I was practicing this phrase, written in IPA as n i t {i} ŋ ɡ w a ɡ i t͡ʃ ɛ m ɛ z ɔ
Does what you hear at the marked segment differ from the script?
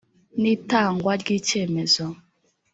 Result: yes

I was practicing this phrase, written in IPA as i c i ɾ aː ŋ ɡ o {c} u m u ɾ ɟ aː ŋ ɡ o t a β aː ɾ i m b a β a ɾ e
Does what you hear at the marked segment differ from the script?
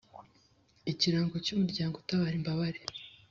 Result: no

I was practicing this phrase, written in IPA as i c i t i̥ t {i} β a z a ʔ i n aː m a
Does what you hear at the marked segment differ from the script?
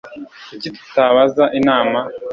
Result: yes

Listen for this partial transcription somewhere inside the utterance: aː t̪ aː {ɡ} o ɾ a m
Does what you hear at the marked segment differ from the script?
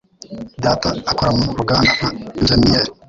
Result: yes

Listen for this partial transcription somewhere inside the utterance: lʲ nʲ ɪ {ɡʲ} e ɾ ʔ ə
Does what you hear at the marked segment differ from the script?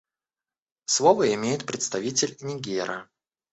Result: no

